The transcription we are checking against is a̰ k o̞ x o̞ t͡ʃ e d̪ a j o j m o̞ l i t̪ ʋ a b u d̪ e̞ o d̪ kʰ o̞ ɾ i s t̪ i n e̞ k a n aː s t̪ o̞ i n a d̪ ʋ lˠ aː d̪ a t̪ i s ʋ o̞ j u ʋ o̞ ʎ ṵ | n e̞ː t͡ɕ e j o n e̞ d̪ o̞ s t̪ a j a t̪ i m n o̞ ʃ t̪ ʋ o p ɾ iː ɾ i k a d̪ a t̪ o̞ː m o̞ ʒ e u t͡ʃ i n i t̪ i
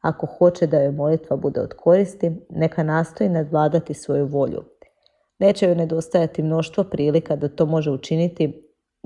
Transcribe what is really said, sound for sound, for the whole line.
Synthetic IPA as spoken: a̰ k o̞ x o̞ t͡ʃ e d̪ a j o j m o̞ l i t̪ ʋ a b u d̪ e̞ o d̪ kʰ o̞ ɾ i s t̪ i n e̞ k a n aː s t̪ o̞ i n a d̪ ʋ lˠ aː d̪ a t̪ i s ʋ o̞ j u ʋ o̞ ʎ ṵ | n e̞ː t͡ɕ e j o n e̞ d̪ o̞ s t̪ a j a t̪ i m n o̞ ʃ t̪ ʋ o p ɾ iː l i k a d̪ a t̪ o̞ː m o̞ ʒ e u t͡ʃ i n i t̪ i